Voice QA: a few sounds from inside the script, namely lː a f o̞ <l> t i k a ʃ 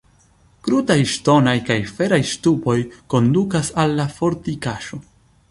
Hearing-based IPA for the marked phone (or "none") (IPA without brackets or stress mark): ɾ